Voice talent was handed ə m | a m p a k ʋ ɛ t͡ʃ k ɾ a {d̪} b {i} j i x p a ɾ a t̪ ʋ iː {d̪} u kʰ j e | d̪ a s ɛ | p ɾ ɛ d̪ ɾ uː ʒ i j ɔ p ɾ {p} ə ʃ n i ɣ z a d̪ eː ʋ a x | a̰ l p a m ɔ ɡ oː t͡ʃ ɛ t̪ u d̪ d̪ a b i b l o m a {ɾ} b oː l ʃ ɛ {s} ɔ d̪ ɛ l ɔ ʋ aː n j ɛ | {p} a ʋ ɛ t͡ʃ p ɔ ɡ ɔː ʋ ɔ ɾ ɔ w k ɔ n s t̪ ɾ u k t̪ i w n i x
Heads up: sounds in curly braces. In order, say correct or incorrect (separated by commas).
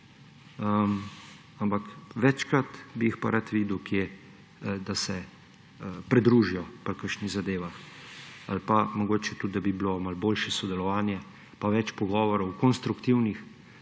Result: incorrect, correct, correct, incorrect, incorrect, correct, correct